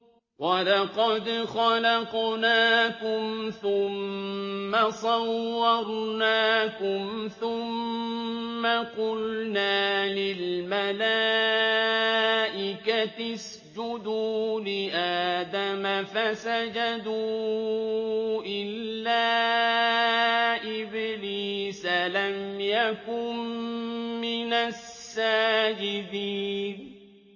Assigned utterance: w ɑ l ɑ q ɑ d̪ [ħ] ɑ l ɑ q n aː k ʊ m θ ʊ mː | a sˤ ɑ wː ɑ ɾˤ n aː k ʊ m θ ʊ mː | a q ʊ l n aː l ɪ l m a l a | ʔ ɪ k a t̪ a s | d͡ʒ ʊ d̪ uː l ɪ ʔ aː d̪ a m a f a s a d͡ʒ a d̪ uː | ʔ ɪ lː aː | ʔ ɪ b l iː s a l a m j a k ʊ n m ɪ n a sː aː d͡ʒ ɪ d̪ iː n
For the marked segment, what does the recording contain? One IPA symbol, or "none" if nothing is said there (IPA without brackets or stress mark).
x